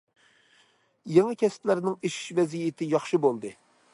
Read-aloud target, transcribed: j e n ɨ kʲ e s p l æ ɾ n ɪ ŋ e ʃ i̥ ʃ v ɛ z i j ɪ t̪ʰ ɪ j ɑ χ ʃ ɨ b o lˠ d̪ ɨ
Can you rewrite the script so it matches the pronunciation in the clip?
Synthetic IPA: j e ŋ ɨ kʲ ɛ s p l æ ɾ n ɪ ŋ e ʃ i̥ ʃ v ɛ z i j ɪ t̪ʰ ɪ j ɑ χ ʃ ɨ b o lˠ d̪ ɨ